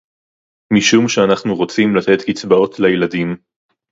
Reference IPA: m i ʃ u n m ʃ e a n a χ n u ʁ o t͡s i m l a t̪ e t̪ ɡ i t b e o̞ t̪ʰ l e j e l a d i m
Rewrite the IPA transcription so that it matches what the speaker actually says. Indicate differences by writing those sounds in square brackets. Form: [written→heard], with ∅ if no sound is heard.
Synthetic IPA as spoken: m i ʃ u [n→∅] m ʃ e a n a χ n u ʁ o t͡s i m l a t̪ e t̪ [ɡ→k] i [t→t͡s] b [e→a] o̞ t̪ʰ l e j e l a d i m

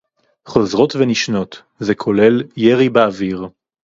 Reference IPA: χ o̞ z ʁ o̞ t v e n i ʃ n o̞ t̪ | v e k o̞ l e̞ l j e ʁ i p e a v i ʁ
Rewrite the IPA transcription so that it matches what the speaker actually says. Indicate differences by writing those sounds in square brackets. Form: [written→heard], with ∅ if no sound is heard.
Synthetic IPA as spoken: χ o̞ z ʁ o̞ t v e n i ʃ n o̞ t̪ | [v→z] e [k→kʰ] o̞ l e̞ l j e ʁ i [p→b] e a v i ʁ

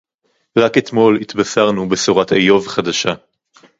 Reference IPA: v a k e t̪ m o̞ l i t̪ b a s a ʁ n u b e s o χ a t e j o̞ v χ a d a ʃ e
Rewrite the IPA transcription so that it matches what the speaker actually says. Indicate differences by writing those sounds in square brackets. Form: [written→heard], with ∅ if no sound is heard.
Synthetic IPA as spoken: [v→ʁ] a k e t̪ m o̞ l i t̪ b a s a ʁ n u b e s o [χ→ʁ] a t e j o̞ v χ a d a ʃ [e→a]

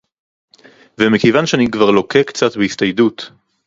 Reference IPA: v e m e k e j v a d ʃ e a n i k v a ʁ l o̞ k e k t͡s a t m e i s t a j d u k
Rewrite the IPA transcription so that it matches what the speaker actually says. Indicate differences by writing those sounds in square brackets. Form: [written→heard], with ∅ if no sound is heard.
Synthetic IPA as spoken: v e m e k e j v a [d→n] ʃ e a n i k v a ʁ l o̞ k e k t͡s a t [m→b] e i s t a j d u [k→t]

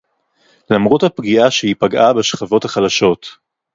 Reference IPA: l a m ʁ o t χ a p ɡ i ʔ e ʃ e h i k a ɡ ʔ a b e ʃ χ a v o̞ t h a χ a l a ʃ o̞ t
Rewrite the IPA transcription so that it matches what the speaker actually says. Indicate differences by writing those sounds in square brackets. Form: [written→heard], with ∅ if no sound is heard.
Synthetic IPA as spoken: l a m ʁ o t [χ→h] a p ɡ i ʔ [e→a] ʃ e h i [k→p] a ɡ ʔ a b e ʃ χ a v o̞ t h a χ a l a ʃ o̞ t

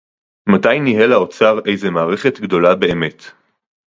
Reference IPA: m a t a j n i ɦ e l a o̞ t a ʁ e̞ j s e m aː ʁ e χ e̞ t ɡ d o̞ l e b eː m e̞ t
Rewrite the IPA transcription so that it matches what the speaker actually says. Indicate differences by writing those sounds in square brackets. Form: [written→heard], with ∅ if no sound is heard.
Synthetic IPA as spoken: m a t a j n i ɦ e l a o̞ [t→t͡s] a ʁ e̞ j [s→z] e m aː ʁ e χ e̞ t ɡ d o̞ l [e→a] b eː m e̞ t

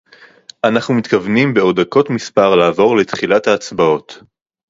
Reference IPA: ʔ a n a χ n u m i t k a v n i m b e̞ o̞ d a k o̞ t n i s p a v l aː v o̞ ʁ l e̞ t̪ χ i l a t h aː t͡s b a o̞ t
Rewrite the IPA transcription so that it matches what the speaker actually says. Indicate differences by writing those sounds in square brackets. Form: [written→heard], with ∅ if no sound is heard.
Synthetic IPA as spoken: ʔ a n a χ n u m i t k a v n i m b e̞ o̞ d a k o̞ t [n→m] i s p a [v→ʁ] l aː v o̞ ʁ l e̞ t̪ χ i l a t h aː t͡s b a o̞ t

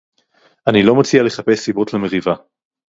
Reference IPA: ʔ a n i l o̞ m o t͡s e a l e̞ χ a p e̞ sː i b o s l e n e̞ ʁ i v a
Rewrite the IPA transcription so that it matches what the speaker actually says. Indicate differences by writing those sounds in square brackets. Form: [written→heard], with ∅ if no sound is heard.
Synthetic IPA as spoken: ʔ a n i l o̞ m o t͡s [e→i] a l e̞ χ a p e̞ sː i b o [s→t] l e [n→m] e̞ ʁ i v a

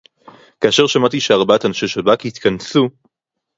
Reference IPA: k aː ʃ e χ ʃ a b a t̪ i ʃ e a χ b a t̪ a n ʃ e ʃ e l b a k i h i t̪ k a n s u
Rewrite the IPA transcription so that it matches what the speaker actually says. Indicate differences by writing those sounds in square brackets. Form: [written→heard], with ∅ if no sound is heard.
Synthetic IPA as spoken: k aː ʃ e [χ→ʁ] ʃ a [b→m] a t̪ i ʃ e a [χ→ʁ] b a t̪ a n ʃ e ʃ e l b a k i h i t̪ k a n s u

